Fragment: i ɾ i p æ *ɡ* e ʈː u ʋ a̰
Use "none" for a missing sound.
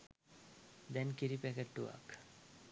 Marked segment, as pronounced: k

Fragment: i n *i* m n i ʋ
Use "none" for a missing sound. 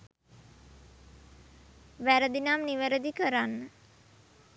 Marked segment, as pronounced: a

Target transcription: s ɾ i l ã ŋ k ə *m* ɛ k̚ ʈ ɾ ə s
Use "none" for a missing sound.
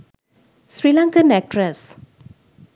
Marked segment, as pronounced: n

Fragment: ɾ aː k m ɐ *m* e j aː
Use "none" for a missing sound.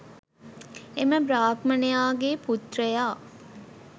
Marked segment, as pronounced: n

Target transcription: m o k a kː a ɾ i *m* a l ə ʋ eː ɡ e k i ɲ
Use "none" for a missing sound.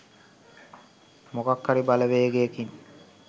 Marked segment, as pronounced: b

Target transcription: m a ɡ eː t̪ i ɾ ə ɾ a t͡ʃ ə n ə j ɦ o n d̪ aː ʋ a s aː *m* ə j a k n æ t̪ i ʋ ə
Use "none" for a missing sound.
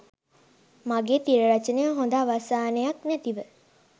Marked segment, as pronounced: n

